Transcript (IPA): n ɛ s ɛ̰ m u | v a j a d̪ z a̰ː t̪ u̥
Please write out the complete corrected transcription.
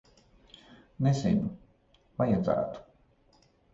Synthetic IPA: n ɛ z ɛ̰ n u | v a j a d̪ z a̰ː t̪ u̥